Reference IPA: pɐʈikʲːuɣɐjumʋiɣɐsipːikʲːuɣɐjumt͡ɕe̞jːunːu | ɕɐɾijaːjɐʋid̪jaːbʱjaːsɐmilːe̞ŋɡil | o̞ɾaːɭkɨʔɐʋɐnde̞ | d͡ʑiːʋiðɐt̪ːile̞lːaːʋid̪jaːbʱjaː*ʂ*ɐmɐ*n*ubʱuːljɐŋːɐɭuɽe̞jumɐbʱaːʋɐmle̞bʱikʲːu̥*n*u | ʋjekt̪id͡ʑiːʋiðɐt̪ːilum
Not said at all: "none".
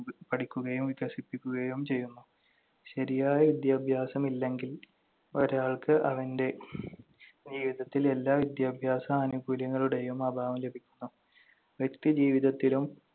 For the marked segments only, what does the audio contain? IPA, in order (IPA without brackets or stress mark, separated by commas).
s, n, nː